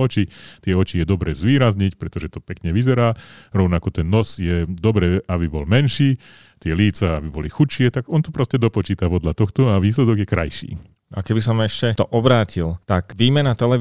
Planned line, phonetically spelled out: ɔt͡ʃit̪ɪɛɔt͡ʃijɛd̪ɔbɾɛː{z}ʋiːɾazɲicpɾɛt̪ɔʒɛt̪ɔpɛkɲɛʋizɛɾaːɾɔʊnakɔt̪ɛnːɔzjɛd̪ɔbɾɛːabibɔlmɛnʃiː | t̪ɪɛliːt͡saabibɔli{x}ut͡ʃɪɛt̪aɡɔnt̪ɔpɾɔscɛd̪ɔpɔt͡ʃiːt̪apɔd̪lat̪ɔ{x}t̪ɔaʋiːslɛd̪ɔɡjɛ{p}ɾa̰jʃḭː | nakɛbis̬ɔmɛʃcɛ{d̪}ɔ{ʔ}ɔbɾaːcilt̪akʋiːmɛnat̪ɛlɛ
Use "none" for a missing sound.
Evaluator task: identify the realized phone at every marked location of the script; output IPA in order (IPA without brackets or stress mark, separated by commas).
z, x, x, k, t̪, ʔ